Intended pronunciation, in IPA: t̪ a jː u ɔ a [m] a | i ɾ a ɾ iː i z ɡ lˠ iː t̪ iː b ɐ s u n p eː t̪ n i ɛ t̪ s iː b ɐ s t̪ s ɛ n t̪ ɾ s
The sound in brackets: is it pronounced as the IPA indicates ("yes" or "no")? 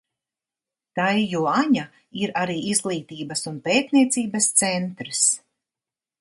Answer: no